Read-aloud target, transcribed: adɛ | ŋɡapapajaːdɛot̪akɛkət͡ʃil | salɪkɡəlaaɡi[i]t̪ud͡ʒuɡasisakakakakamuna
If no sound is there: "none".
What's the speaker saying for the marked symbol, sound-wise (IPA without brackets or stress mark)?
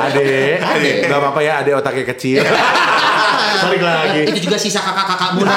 i